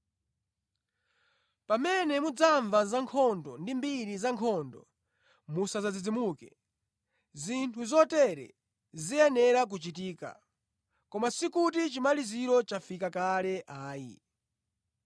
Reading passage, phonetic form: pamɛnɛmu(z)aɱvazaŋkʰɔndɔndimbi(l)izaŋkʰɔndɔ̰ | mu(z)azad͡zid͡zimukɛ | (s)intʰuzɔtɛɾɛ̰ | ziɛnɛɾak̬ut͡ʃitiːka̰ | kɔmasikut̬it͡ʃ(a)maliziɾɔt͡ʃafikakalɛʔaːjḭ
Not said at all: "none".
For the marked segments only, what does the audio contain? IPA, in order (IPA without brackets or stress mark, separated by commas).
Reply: d͡z, ɾ, s, z, i